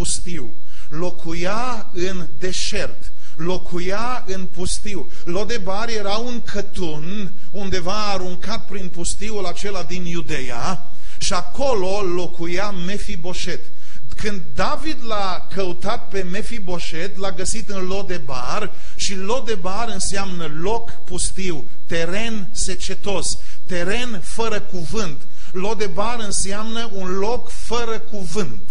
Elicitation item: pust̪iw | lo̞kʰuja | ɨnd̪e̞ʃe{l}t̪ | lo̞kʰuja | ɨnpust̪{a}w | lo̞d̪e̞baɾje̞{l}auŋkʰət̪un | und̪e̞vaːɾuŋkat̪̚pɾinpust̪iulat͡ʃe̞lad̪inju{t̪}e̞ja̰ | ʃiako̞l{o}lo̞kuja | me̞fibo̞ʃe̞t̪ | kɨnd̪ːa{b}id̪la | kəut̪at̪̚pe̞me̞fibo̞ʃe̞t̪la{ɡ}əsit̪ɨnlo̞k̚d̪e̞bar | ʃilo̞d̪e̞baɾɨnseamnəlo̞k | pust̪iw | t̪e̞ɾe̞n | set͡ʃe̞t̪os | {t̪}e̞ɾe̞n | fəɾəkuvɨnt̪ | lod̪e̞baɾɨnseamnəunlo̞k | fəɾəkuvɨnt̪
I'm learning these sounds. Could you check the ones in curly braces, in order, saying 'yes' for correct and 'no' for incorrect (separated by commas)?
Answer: no, no, no, no, yes, no, yes, yes